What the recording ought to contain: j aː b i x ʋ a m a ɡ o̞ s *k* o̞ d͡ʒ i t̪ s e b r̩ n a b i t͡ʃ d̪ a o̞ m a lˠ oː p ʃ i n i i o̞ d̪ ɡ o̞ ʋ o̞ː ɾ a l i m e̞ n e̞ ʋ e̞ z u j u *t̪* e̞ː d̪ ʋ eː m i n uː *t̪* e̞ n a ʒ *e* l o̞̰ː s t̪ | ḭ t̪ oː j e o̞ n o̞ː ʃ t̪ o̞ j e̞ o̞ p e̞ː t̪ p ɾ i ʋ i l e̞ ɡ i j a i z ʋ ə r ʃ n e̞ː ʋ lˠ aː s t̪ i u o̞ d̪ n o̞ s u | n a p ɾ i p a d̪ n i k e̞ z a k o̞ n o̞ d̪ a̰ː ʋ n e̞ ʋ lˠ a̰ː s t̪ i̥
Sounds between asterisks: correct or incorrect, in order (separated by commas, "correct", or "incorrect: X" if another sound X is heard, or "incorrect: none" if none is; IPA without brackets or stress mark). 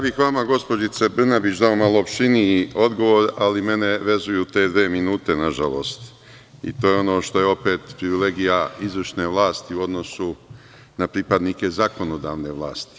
incorrect: p, correct, correct, incorrect: a